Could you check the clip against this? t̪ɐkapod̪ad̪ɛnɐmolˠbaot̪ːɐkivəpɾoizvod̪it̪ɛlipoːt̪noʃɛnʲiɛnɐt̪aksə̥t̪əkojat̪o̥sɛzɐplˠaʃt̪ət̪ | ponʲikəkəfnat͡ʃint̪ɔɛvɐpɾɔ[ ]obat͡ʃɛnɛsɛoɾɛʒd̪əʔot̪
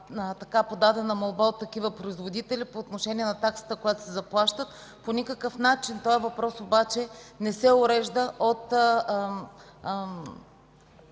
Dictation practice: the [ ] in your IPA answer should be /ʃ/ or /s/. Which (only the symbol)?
s